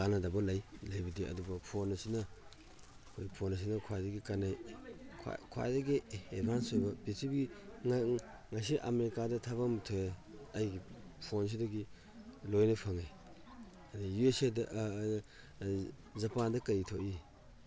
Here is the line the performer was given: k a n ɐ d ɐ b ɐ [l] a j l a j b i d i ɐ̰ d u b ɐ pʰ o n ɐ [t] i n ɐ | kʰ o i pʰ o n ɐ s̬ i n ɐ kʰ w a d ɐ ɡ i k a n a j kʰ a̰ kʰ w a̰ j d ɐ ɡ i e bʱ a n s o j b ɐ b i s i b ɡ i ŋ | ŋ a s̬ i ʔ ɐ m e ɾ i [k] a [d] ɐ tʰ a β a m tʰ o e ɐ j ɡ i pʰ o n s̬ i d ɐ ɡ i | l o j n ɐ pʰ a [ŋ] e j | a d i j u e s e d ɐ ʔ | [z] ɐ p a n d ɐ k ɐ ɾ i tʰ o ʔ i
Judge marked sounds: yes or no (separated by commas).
yes, no, yes, yes, yes, yes